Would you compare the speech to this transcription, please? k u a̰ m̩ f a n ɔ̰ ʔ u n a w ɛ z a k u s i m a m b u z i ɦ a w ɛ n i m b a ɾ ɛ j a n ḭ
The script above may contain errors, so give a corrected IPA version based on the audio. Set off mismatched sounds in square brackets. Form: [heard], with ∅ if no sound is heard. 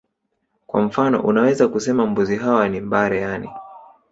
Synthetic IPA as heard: k [w] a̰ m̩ f a n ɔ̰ ʔ u n a w ɛ z a k u s [ɛ] m a m b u z i ɦ a w [a] n i m b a ɾ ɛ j a n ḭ